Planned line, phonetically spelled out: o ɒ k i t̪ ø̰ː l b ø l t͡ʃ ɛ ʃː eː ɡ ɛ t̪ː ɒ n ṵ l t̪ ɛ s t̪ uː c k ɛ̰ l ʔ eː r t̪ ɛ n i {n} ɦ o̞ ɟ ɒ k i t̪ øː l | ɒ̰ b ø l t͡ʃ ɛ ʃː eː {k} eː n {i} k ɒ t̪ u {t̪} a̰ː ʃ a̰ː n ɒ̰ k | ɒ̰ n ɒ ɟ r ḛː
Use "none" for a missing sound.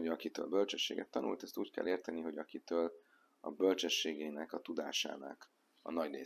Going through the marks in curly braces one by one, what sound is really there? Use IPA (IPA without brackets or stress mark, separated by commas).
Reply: none, ɡ, ɛ, d̪